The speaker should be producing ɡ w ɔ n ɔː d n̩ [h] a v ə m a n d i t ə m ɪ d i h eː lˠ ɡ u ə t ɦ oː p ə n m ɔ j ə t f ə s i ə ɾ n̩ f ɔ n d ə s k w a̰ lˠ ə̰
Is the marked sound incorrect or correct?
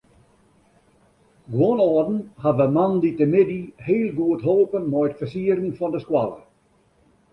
correct